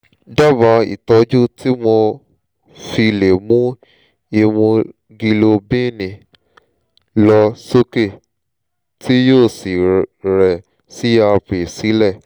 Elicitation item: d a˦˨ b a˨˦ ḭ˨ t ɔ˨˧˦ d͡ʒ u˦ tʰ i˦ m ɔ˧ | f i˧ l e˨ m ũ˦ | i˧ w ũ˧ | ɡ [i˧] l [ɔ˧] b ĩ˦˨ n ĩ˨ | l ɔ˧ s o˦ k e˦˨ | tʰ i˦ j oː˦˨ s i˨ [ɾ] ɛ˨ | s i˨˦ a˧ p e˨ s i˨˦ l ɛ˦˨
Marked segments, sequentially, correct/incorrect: correct, incorrect, correct

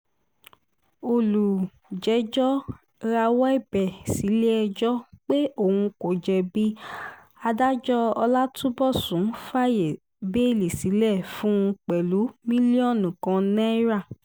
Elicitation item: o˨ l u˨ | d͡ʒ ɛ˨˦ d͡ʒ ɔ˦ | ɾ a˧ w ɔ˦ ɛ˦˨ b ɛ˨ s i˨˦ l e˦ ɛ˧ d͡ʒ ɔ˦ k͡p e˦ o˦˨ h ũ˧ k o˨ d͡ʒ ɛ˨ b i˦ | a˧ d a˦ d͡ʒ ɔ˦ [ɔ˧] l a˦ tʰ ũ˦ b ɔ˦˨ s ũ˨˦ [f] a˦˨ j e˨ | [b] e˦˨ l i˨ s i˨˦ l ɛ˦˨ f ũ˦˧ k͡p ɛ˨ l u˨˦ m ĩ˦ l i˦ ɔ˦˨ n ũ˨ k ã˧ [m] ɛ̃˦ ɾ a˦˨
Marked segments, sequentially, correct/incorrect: correct, correct, correct, incorrect

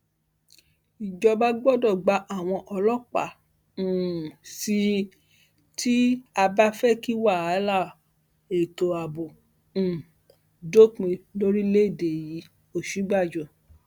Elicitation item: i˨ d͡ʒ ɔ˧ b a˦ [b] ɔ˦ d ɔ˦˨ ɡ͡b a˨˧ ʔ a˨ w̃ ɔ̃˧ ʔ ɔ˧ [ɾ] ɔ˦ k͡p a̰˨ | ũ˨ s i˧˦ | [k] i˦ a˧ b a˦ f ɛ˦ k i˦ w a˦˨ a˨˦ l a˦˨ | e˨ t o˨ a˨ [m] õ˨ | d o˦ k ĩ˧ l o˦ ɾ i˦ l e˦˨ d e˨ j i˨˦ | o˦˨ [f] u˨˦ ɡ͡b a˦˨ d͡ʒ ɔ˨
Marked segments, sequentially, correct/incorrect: incorrect, incorrect, incorrect, incorrect, incorrect

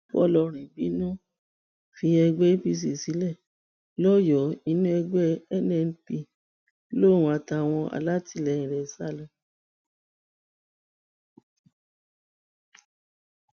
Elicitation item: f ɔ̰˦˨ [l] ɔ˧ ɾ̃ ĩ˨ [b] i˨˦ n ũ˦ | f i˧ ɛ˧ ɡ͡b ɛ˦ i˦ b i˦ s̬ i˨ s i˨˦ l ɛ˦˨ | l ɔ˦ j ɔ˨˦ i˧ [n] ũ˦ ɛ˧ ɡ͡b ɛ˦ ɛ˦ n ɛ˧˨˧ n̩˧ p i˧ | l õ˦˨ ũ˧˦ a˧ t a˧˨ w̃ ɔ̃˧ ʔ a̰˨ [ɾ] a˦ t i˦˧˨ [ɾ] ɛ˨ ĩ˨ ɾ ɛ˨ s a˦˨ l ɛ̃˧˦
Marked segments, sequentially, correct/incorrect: correct, correct, correct, incorrect, incorrect

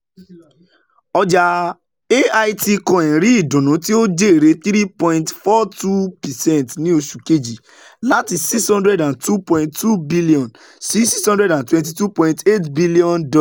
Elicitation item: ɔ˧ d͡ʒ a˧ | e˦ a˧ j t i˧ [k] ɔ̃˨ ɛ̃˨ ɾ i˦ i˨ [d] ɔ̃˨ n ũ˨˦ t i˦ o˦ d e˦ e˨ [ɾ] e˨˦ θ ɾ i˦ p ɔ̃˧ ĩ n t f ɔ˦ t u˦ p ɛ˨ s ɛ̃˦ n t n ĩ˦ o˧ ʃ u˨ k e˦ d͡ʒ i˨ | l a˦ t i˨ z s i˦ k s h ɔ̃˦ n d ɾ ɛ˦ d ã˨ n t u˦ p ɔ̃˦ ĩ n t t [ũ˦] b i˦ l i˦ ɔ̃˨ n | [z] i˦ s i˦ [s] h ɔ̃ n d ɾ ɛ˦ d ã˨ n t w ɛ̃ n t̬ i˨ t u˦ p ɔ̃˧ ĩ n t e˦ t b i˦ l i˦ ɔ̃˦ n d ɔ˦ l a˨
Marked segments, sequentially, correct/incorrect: correct, correct, correct, incorrect, incorrect, correct

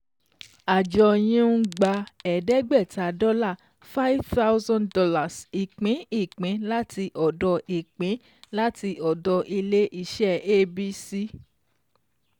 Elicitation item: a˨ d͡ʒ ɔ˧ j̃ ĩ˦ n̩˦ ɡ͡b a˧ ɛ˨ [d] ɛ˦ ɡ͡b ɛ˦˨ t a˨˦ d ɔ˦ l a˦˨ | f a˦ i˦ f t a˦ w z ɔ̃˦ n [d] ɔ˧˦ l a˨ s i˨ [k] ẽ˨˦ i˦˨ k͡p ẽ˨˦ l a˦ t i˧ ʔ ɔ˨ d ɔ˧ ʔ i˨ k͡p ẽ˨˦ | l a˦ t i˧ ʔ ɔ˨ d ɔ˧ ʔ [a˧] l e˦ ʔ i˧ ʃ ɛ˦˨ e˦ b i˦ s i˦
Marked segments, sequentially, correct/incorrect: correct, correct, incorrect, incorrect

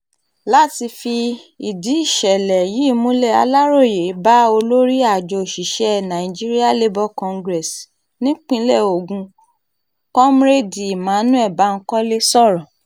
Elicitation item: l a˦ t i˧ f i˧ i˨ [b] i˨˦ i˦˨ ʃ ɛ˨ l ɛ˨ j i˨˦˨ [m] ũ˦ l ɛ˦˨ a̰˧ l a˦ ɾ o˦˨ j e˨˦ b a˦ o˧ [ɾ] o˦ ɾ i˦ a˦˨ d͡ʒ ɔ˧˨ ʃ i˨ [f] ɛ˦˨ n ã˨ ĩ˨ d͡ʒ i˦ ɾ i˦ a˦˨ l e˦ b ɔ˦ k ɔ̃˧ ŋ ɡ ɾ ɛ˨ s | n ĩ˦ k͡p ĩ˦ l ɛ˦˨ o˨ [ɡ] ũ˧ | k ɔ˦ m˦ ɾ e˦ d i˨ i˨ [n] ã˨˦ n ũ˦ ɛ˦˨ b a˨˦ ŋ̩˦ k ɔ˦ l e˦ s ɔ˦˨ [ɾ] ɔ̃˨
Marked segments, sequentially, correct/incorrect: incorrect, correct, incorrect, incorrect, correct, incorrect, correct

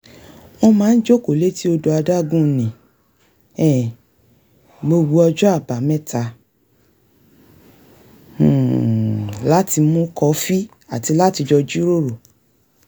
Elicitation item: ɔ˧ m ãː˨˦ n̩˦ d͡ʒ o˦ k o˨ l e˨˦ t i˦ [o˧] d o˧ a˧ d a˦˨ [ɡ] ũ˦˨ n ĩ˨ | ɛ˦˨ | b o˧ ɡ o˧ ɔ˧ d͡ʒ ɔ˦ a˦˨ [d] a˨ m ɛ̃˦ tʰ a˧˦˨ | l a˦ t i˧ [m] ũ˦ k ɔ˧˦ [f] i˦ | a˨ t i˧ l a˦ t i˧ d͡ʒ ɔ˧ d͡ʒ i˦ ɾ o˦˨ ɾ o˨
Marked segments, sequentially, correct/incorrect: correct, correct, incorrect, correct, correct

